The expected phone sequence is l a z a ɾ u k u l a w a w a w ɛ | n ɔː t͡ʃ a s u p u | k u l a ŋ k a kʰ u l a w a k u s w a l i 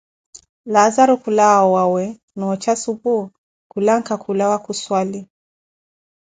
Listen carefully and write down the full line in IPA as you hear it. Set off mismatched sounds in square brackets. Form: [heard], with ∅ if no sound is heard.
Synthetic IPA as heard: l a z a ɾ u k u l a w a w a w ɛ | n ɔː t͡ʃ a s u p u | k u l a ŋ k a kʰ u l a w a k u s w a l i